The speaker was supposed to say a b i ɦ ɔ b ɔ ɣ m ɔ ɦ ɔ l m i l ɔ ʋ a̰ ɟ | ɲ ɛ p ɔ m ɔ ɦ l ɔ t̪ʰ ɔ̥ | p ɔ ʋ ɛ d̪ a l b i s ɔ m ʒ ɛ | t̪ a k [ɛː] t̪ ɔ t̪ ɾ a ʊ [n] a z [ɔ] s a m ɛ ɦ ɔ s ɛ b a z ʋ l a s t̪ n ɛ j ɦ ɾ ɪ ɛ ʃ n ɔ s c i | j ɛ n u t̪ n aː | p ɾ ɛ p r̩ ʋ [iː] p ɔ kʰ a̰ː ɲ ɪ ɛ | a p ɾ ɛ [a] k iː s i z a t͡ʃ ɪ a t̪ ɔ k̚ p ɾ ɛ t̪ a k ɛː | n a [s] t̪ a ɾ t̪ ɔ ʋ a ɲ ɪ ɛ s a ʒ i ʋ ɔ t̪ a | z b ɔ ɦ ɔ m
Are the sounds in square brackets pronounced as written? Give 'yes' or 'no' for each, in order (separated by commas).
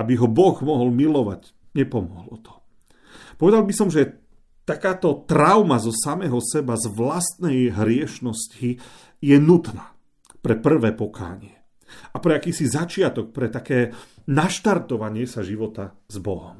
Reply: no, no, yes, no, yes, no